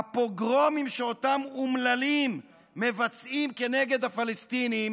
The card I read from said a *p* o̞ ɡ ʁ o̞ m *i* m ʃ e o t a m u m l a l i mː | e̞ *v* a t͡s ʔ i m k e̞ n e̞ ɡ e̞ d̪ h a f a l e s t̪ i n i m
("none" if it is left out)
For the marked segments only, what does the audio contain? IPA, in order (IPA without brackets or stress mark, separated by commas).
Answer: p, i, v